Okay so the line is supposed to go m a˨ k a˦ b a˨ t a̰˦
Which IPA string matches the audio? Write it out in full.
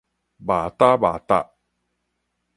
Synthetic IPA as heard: b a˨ t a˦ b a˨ t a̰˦